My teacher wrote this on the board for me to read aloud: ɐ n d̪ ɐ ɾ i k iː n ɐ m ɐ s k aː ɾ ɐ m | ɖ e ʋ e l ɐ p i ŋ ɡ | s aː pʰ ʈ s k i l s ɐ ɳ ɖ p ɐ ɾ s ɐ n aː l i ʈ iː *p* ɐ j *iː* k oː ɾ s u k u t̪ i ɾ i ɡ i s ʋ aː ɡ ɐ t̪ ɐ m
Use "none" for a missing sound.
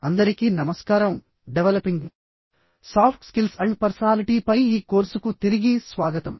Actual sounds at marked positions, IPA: p, iː

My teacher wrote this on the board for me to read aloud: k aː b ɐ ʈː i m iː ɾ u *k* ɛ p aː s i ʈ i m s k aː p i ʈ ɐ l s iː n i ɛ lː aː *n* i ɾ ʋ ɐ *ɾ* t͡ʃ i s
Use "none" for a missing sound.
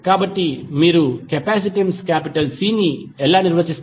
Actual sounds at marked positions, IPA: k, n, none

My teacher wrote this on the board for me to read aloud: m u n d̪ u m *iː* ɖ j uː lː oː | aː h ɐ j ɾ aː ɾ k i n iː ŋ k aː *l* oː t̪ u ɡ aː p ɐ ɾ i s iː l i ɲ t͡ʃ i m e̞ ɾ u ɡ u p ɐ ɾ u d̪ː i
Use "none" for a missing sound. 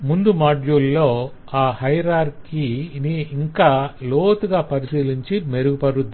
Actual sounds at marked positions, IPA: aː, l

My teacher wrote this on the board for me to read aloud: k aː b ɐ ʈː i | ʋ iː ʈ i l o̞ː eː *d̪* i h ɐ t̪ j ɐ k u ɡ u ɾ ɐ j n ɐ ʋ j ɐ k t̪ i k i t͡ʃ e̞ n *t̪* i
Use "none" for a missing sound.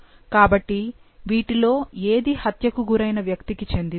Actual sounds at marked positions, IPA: d̪, d̪

